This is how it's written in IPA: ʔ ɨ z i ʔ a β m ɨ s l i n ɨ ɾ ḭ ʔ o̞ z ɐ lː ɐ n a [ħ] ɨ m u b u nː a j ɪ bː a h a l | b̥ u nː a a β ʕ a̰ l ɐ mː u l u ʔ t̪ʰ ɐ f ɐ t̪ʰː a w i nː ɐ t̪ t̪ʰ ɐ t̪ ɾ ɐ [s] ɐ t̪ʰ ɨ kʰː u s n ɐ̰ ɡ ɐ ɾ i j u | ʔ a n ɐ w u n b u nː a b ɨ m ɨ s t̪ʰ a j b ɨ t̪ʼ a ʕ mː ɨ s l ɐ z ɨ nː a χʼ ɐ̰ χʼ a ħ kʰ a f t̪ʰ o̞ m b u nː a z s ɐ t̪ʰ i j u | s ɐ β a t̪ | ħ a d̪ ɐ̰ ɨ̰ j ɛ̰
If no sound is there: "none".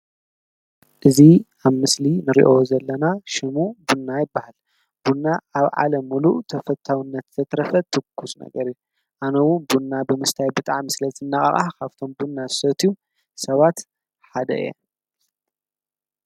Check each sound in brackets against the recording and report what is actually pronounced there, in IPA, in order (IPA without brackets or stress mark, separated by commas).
ʃ, f